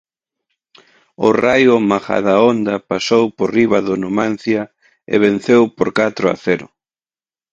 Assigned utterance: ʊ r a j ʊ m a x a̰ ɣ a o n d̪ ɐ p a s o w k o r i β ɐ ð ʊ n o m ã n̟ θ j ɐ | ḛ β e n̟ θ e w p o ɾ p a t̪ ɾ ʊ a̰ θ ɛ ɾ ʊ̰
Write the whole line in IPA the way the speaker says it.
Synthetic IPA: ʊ r a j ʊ m a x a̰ ð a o n d̪ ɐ p a s o w p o r i β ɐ ð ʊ n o m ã n̟ θ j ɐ | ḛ β e n̟ θ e w p o ɾ k a t̪ ɾ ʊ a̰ θ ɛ ɾ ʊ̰